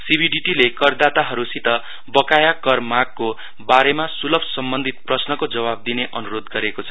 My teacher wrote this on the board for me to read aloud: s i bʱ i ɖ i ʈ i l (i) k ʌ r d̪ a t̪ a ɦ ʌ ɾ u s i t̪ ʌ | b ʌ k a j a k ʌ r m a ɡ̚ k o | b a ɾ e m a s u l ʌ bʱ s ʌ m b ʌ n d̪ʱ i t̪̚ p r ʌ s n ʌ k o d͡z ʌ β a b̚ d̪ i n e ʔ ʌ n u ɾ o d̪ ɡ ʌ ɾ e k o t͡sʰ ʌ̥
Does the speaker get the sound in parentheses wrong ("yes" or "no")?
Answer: yes